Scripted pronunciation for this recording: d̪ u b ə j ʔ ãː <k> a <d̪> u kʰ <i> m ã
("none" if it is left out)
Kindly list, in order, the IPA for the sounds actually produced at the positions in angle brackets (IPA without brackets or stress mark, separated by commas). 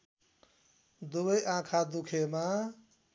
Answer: kʰ, d̪, e